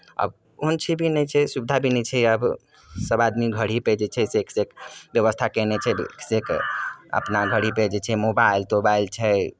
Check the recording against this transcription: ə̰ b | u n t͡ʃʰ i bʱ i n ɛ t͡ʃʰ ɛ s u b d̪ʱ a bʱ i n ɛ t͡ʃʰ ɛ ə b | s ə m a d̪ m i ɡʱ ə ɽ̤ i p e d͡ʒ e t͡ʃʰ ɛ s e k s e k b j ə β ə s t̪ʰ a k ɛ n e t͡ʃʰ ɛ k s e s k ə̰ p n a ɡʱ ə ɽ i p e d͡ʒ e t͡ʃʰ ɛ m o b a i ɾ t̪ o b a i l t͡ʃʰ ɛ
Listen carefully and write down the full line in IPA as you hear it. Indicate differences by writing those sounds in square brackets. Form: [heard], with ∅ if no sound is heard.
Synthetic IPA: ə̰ b | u n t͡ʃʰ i bʱ i n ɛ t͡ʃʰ ɛ s u b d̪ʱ a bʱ i n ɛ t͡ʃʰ ɛ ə b | s ə [b] a d̪ m i ɡʱ ə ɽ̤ i p e d͡ʒ e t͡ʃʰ ɛ s e k s e k b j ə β ə s t̪ʰ a k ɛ n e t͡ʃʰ ɛ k s e [∅] k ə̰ p n a ɡʱ ə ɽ i p e d͡ʒ e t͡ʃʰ ɛ m o b a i [l] t̪ o b a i l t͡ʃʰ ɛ